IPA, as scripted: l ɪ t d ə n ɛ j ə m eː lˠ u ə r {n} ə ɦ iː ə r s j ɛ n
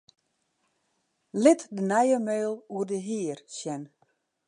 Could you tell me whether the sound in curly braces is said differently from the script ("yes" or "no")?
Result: yes